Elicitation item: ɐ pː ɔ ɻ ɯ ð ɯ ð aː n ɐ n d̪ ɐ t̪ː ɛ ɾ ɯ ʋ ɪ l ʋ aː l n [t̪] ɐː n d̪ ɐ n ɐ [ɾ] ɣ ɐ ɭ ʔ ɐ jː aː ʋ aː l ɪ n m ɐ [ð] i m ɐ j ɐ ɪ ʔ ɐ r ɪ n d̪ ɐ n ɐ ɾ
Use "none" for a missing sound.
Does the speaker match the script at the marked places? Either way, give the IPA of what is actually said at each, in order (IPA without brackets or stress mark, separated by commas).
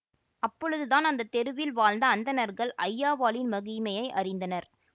d̪, ɾ, ɣ